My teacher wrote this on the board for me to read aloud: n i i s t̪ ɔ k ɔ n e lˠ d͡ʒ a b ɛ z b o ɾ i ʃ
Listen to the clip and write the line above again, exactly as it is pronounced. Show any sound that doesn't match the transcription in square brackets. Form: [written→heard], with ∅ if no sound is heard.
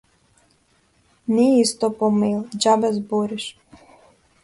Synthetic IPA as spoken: n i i s t̪ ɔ [k→p] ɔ [n→m] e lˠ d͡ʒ a b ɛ z b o ɾ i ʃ